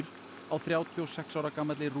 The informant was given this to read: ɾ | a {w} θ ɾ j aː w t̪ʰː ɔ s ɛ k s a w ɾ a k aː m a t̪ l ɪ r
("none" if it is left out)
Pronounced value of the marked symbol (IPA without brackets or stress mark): w